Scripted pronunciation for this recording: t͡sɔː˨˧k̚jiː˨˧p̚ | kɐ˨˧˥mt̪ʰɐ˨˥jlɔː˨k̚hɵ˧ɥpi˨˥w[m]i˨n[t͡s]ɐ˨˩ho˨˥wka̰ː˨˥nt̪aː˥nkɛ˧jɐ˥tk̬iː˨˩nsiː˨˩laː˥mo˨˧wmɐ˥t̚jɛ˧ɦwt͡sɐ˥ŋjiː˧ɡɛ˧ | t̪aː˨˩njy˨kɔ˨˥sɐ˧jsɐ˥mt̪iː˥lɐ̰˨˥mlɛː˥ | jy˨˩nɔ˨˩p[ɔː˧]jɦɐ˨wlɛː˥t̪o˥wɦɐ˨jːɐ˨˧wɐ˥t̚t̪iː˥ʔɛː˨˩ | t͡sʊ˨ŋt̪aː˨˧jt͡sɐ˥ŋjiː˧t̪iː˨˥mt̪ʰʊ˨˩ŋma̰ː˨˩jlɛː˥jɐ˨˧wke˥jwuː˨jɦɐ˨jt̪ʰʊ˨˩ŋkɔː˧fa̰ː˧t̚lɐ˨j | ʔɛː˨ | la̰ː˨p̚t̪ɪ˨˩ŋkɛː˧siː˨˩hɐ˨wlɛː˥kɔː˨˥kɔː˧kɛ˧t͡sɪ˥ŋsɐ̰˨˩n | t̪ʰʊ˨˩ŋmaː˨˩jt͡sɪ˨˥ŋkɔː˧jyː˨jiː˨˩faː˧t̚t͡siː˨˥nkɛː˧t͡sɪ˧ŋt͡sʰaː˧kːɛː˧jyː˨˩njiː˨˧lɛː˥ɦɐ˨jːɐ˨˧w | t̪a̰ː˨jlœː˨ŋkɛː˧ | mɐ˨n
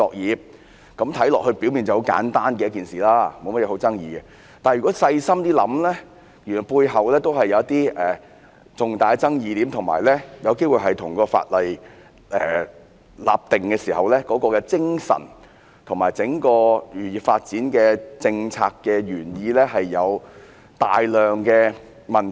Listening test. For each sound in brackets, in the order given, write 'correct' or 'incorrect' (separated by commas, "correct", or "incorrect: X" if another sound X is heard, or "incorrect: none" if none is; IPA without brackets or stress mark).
correct, correct, incorrect: uː˧